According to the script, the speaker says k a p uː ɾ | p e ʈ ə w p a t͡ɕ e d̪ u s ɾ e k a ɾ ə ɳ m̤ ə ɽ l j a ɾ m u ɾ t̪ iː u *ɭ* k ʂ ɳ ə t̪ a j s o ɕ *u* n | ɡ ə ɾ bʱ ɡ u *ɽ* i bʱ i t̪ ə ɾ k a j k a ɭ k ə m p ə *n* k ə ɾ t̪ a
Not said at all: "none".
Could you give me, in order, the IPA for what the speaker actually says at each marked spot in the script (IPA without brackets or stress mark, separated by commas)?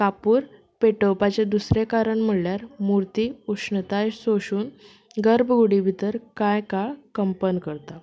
none, uː, ɽ, n